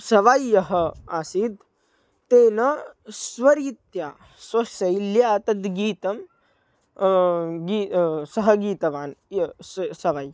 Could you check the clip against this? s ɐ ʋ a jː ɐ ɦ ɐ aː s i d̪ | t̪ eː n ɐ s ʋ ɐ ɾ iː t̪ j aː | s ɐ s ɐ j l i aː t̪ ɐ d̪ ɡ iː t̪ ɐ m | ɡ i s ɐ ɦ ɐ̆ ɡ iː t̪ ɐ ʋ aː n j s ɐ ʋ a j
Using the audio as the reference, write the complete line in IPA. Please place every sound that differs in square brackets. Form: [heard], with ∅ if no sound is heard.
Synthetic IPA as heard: s ɐ ʋ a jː ɐ ɦ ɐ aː s i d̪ | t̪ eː n ɐ s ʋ ɐ ɾ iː t̪ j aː | s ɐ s ɐ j l [j] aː t̪ ɐ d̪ ɡ iː t̪ ɐ m | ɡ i s ɐ ɦ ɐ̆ ɡ iː t̪ ɐ ʋ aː n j s ɐ ʋ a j